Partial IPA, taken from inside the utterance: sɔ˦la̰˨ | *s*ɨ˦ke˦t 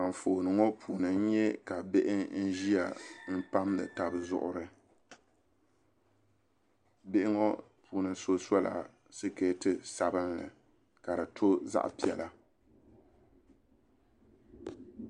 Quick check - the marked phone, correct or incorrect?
correct